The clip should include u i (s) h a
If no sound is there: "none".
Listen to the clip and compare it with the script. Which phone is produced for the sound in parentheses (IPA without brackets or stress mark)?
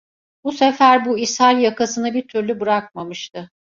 s